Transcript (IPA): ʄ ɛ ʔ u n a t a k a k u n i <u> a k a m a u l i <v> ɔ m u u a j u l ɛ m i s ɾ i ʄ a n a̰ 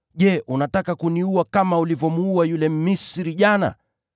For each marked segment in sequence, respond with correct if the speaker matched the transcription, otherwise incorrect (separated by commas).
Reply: correct, correct